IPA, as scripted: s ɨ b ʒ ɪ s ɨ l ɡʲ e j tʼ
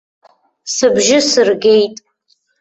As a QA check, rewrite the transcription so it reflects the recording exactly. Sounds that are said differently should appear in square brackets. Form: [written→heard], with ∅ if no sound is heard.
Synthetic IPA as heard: s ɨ b ʒ ɪ s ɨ [l→r] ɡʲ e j tʼ